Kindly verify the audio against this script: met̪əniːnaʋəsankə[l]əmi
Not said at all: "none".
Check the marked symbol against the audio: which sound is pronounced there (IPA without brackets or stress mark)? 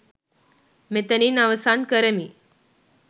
ɾ